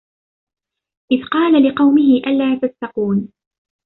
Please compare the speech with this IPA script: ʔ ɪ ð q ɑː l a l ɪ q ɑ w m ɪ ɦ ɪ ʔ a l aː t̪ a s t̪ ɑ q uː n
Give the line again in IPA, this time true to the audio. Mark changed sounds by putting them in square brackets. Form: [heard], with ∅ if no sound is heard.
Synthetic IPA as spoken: ʔ ɪ ð q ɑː l a l ɪ q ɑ w m ɪ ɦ ɪ ʔ a l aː t̪ a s t̪ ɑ q uː n